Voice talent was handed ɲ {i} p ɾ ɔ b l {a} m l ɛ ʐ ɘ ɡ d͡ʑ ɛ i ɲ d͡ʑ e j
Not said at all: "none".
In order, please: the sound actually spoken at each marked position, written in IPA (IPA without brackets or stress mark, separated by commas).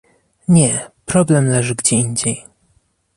ɛ, ɛ